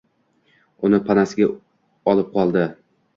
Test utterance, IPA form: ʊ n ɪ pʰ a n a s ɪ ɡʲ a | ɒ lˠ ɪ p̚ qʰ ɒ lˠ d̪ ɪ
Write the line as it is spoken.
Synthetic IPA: ʊ n ɪ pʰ a n a s ɪ ɡʲ a | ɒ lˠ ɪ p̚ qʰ ɒ lˠ d̪ ɪ